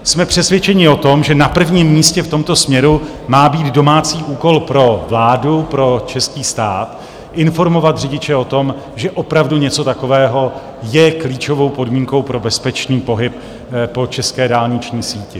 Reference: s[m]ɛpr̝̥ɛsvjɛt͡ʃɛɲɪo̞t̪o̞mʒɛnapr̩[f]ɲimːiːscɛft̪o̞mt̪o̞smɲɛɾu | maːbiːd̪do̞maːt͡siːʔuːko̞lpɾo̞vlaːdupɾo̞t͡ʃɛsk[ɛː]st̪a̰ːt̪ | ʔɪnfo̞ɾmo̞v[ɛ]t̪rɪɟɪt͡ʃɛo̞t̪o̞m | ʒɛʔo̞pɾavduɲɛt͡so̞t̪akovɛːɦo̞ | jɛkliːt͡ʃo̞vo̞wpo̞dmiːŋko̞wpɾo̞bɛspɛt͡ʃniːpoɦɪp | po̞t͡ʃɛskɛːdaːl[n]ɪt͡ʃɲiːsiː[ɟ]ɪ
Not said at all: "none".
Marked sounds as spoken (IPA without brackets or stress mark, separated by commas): m, v, iː, a, ɲ, c